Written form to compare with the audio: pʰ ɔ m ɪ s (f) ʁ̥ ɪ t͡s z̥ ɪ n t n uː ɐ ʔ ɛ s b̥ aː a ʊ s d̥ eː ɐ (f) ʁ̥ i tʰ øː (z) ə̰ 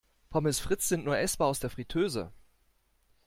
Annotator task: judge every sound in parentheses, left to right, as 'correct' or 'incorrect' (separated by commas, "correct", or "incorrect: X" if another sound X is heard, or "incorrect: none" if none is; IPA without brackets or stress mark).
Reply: correct, correct, correct